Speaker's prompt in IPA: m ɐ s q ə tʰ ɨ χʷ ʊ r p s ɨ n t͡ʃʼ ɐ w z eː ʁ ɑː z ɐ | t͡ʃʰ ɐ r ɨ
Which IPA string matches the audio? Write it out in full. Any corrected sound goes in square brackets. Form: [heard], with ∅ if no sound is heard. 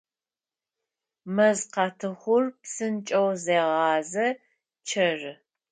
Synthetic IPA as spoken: m ɐ [z] q [ɑ] tʰ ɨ χʷ ʊ r p s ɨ n t͡ʃʼ ɐ w z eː ʁ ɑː z ɐ | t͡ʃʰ ɐ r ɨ